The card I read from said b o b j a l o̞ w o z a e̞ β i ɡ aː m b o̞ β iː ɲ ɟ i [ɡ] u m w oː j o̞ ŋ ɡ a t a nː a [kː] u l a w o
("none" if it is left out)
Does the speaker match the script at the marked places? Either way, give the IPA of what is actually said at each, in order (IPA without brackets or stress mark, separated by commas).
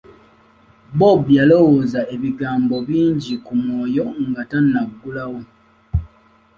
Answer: k, ɡː